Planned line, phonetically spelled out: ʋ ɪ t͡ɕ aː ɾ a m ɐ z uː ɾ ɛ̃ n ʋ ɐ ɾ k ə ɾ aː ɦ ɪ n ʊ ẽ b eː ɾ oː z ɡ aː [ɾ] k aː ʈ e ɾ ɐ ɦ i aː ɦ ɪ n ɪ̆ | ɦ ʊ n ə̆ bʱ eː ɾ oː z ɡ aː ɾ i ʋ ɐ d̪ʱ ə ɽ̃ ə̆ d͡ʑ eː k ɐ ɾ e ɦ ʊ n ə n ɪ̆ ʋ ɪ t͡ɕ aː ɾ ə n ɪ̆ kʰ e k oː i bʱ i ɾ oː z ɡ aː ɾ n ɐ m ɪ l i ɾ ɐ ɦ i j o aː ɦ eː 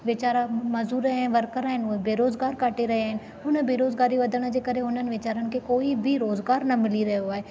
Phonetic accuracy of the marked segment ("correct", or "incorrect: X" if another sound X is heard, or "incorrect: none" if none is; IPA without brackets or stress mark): correct